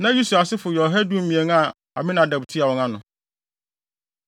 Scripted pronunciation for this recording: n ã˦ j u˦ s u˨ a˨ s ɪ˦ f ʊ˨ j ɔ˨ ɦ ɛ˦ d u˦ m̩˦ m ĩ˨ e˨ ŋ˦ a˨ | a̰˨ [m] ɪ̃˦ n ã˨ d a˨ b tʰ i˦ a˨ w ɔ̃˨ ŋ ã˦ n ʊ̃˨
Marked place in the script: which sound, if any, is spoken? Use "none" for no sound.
m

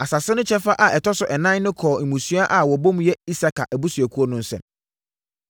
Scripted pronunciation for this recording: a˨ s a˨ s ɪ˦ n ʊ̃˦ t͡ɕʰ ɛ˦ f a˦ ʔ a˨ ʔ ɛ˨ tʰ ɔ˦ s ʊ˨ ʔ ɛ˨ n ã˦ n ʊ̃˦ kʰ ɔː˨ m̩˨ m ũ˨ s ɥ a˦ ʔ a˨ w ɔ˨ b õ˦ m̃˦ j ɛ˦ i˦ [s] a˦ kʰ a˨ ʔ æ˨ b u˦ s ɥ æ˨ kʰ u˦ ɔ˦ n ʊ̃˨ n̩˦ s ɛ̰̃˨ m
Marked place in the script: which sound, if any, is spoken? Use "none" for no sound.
s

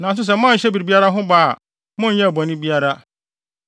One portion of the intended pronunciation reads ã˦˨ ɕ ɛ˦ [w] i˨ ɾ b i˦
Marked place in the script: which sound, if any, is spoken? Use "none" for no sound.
b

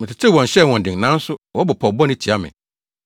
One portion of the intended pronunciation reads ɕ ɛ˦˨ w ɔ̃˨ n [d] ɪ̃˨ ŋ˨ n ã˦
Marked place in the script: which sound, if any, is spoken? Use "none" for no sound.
d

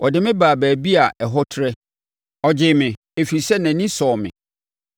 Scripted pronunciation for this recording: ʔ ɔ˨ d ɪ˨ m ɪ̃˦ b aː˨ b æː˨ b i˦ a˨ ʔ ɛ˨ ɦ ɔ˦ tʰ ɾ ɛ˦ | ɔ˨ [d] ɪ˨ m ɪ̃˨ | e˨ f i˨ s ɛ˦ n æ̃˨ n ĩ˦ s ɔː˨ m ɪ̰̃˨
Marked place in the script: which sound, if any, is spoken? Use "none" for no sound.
d͡ʑ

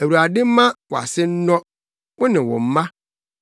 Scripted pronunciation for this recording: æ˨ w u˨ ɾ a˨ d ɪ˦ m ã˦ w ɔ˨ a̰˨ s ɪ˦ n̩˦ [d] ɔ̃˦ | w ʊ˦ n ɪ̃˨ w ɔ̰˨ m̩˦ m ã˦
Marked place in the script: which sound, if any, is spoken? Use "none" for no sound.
n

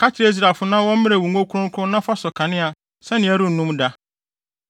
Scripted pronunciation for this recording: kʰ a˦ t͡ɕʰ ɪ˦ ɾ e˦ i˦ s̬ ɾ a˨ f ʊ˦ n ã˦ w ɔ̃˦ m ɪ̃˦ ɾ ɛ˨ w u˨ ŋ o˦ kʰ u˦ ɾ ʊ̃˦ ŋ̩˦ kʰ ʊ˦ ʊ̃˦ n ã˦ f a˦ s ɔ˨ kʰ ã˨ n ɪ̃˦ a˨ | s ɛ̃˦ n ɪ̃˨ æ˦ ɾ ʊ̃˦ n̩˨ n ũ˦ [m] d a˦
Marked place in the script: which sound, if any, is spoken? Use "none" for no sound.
m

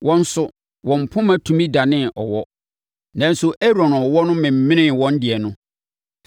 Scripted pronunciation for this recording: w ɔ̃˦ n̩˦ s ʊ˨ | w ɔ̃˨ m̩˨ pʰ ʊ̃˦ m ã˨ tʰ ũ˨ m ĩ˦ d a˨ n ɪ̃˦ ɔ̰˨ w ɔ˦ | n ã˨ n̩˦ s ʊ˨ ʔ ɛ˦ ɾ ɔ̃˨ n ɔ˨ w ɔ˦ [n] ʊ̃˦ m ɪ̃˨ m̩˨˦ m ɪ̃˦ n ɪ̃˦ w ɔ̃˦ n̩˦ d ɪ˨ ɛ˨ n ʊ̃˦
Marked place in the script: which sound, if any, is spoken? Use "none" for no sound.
n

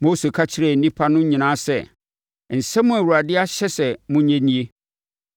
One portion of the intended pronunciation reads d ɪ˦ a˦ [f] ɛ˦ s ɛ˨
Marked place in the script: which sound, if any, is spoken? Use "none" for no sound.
ɕ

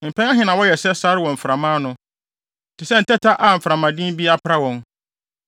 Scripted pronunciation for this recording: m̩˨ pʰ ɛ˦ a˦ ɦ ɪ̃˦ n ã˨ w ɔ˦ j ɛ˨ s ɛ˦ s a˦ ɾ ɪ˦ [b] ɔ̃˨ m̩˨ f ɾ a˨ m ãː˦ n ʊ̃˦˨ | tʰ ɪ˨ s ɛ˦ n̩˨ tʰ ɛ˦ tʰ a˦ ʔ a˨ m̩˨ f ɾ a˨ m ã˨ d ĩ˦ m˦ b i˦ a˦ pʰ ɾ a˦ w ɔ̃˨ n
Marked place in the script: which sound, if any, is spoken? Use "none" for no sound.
w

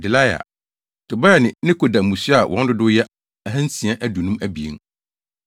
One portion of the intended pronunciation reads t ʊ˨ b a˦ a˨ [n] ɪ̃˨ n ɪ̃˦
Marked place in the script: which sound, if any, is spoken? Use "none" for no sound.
n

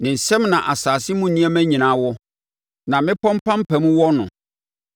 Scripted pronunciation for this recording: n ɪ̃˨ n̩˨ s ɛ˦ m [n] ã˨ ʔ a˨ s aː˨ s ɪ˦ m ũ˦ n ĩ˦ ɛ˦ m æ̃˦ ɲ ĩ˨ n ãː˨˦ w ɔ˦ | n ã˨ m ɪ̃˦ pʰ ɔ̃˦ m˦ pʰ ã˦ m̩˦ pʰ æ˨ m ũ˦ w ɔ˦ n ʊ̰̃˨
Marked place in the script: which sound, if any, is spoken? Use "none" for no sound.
n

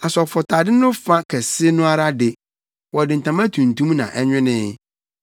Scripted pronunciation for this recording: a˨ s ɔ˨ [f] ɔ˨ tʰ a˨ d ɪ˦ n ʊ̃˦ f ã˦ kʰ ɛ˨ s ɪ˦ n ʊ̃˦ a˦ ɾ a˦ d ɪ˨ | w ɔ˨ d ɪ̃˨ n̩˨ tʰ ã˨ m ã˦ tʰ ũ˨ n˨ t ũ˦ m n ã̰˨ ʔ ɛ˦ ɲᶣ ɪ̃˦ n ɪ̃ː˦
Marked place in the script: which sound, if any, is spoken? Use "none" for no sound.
f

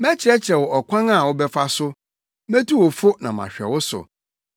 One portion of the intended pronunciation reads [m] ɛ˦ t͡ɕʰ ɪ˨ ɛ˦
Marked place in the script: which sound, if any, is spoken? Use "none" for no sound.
m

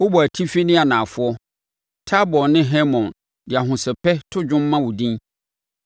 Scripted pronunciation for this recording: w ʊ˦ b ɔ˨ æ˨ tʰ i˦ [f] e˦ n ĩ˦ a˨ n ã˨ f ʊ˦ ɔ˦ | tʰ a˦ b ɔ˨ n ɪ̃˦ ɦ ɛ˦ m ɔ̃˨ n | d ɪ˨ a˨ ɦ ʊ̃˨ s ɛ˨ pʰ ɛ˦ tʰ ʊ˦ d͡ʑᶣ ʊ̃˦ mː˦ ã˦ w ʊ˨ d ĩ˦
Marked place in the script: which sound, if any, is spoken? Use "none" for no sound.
f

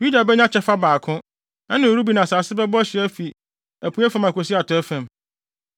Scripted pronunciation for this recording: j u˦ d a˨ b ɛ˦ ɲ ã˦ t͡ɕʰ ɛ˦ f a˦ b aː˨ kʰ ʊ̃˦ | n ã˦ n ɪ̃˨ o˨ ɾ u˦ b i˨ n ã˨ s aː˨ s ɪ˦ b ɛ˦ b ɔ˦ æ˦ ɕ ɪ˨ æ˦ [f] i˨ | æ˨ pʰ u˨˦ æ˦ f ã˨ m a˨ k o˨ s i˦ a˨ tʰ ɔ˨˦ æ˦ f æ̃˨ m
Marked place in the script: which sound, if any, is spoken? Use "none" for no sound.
f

